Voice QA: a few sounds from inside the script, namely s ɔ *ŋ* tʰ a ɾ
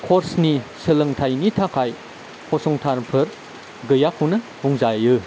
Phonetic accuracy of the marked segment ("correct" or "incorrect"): correct